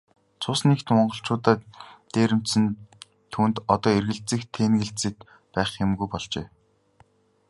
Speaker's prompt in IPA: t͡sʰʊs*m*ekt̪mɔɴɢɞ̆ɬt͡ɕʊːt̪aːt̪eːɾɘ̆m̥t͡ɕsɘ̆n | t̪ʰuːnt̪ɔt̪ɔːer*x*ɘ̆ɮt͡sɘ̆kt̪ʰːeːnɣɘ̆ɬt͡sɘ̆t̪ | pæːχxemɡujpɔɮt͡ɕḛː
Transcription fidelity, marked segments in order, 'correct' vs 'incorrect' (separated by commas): incorrect, incorrect